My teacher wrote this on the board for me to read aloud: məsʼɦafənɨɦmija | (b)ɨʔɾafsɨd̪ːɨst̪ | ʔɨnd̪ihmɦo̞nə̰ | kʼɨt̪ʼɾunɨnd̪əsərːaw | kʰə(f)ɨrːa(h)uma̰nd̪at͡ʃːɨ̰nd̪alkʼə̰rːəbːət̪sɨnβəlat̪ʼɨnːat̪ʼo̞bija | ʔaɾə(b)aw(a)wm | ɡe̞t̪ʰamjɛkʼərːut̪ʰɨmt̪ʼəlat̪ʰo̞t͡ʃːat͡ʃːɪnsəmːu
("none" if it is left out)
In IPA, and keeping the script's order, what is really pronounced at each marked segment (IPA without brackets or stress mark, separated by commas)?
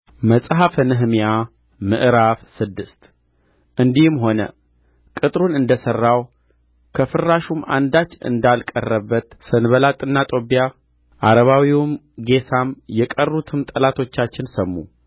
m, f, ʃ, β, i